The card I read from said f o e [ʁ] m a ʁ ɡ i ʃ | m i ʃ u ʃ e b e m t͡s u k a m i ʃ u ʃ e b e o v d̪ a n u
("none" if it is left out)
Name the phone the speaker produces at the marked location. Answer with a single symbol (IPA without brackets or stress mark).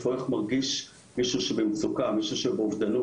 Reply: χ